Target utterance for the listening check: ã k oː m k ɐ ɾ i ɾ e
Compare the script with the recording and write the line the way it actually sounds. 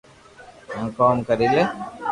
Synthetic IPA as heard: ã k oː m k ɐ ɾ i l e